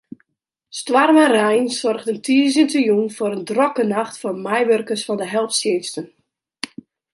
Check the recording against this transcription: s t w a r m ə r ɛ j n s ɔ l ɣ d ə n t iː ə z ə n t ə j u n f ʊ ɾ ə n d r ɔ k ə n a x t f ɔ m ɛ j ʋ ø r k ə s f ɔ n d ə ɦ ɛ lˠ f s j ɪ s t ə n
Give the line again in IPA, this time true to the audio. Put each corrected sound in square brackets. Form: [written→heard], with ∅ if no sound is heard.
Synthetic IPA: s t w a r m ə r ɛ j n s ɔ [l→r] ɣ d ə n t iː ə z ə n t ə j u n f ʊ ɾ ə n d r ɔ k ə n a x t f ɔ m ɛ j ʋ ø r k ə s f ɔ n d ə ɦ ɛ lˠ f s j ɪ s t ə n